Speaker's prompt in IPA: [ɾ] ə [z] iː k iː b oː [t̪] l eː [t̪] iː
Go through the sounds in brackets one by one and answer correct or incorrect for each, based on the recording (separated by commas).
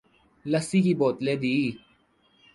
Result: incorrect, incorrect, correct, incorrect